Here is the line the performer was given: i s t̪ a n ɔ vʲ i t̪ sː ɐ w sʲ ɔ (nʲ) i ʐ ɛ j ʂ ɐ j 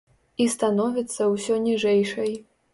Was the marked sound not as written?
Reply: no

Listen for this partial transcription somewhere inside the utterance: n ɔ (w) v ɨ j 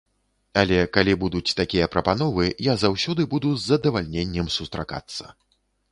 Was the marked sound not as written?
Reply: yes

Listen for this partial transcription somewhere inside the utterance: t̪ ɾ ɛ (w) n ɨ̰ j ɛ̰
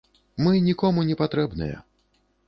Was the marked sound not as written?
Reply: yes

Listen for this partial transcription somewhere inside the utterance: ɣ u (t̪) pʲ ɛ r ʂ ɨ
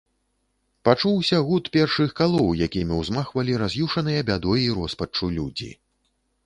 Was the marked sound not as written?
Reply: no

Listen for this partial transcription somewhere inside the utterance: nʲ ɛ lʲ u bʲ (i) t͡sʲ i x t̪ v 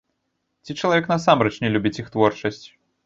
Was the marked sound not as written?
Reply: no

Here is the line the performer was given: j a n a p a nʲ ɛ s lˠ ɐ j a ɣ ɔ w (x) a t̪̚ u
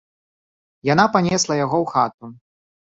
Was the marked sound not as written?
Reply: no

